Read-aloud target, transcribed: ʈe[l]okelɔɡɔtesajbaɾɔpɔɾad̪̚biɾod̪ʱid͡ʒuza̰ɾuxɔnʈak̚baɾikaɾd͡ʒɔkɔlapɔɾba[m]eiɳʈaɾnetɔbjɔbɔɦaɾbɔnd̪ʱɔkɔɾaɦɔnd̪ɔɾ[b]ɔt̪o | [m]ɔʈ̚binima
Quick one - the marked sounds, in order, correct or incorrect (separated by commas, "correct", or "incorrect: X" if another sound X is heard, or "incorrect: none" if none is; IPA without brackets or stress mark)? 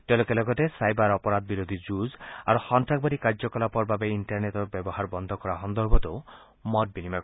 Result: correct, incorrect: b, correct, correct